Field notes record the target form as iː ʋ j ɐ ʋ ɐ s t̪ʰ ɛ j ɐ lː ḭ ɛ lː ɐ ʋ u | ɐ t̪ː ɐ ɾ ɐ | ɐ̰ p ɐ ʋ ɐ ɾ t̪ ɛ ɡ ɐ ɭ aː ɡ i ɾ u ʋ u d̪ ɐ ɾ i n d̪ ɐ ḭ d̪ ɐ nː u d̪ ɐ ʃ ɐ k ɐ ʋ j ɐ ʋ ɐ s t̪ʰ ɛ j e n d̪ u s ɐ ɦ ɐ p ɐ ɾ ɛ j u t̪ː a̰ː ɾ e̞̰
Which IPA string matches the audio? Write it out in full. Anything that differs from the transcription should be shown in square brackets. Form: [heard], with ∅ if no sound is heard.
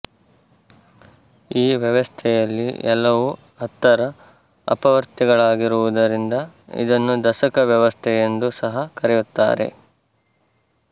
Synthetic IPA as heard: iː ʋ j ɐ ʋ ɐ s t̪ʰ ɛ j ɐ lː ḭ ɛ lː ɐ ʋ u | ɐ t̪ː ɐ ɾ ɐ | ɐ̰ p ɐ ʋ ɐ ɾ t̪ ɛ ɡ ɐ ɭ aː ɡ i ɾ u ʋ u d̪ ɐ ɾ i n d̪ ɐ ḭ d̪ ɐ nː u d̪ ɐ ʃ ɐ k ɐ ʋ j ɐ ʋ ɐ s t̪ʰ ɛ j e n d̪ u s ɐ ɦ ɐ [k] ɐ ɾ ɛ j u t̪ː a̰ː ɾ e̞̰